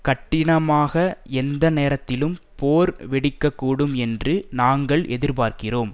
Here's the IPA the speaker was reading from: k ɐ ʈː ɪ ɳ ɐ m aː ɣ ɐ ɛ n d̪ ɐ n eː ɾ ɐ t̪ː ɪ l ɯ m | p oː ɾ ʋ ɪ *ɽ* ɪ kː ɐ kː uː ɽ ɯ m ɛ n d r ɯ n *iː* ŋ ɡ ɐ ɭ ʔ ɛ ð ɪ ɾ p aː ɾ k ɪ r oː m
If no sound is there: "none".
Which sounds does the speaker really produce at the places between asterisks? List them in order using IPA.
ɽ, aː

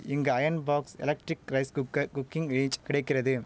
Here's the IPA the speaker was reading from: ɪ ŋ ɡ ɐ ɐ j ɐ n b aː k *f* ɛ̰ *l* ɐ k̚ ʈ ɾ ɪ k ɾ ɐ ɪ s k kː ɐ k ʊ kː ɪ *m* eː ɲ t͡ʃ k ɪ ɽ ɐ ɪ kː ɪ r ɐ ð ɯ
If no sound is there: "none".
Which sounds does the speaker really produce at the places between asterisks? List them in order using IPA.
s, l, ŋ

